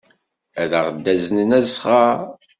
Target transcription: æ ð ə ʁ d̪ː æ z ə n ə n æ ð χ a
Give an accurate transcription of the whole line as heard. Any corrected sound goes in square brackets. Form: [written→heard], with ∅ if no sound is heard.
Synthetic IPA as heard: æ ð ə ʁ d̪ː æ z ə n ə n æ [ð→z] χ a